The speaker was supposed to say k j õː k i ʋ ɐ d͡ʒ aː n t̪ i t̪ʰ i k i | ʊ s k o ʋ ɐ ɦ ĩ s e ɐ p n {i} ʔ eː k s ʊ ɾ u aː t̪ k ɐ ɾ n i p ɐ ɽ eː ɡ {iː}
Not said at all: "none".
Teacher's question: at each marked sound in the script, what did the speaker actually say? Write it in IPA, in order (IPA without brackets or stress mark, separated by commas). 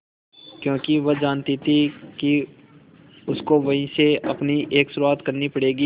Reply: i, iː